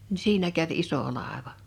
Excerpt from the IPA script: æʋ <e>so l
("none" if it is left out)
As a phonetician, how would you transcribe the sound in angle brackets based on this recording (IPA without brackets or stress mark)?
i